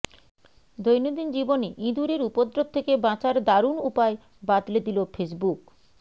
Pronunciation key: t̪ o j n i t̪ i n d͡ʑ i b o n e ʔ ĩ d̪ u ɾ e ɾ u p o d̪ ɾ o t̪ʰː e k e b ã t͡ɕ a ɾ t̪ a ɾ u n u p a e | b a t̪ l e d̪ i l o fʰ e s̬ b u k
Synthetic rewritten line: d̪ o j n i d̪ i n d͡ʑ i b o n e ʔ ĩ d̪ u ɾ e ɾ u p o d̪ ɾ o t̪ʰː e k e b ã t͡ɕ a ɾ d̪ a ɾ u n u p a e | b a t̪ l e d̪ i l o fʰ e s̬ b u k